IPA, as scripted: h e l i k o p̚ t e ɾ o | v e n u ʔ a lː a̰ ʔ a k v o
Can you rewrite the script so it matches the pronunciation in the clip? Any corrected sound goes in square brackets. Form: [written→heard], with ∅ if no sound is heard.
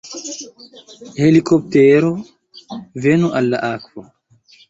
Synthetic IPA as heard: h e l i k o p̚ t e ɾ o | v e n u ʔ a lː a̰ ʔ a k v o